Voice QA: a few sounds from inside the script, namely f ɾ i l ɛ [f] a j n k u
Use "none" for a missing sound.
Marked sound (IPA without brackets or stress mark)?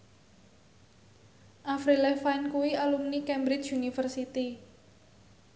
f